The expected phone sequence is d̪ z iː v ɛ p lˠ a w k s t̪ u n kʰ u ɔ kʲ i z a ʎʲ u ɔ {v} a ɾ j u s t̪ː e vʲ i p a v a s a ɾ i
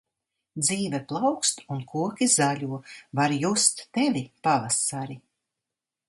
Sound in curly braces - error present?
no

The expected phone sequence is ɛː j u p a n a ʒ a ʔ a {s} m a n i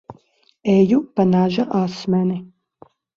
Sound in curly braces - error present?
no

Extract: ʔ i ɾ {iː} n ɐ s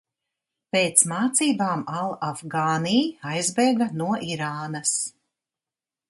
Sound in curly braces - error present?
yes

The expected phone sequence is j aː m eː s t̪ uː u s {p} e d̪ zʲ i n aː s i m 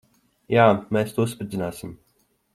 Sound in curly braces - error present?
no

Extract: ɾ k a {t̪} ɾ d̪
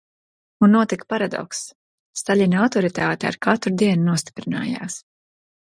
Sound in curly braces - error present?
no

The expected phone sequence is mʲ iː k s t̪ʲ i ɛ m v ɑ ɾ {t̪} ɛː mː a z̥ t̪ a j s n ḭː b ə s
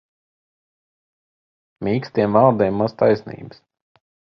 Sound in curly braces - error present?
yes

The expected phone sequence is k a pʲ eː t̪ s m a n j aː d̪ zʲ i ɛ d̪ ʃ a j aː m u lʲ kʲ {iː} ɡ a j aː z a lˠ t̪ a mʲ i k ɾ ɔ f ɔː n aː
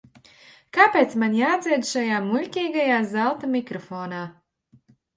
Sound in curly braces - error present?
no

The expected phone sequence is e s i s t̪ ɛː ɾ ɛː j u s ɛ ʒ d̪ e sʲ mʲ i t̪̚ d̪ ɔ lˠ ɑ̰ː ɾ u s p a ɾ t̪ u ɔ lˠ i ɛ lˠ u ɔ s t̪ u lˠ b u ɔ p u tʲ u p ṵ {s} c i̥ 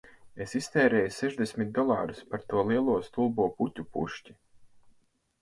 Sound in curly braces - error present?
yes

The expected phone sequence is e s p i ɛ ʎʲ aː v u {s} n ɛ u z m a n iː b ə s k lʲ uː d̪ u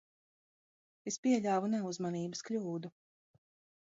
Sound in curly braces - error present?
yes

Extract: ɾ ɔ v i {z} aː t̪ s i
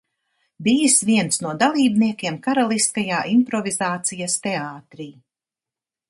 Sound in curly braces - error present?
no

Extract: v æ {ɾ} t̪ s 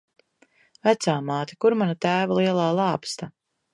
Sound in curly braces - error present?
yes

